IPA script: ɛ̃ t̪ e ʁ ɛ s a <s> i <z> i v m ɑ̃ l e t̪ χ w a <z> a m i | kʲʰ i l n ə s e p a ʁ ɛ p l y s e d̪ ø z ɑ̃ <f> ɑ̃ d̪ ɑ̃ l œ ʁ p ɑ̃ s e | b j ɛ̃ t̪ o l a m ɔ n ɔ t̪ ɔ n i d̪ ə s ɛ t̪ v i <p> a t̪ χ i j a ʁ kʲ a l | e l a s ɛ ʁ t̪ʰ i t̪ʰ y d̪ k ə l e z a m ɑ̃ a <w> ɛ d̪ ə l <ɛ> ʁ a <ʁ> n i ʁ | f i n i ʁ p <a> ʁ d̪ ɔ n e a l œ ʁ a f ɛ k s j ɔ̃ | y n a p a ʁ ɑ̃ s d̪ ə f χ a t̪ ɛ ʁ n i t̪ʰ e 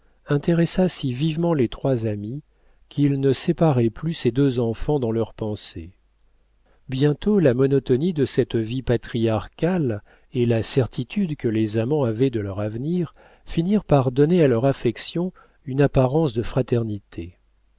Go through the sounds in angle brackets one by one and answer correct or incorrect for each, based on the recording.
correct, incorrect: v, correct, correct, correct, incorrect: v, incorrect: œ, incorrect: v, correct

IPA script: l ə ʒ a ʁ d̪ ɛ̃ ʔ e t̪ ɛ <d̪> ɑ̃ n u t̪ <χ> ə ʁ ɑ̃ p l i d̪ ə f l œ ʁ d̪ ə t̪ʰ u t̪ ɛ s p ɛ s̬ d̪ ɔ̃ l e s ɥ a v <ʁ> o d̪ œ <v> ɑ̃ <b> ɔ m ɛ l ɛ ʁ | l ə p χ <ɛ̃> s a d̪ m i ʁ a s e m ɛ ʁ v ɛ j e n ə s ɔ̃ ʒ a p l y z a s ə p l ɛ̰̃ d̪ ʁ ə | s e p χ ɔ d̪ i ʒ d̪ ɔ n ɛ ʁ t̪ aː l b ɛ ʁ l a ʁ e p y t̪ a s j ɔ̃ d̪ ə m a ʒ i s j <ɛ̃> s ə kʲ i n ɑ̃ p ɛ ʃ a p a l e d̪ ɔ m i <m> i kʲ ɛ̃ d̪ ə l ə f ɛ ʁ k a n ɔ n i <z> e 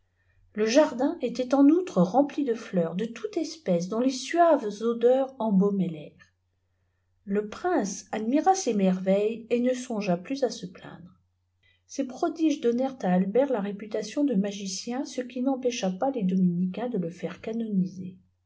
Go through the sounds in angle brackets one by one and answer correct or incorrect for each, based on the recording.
incorrect: t̪, correct, incorrect: z, incorrect: ʁ, correct, correct, correct, incorrect: n, correct

